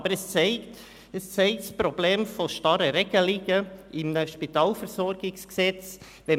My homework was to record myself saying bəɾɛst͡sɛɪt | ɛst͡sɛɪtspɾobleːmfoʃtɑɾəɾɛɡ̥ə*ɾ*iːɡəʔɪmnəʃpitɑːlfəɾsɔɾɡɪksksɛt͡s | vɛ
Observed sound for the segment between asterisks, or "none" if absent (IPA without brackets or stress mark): l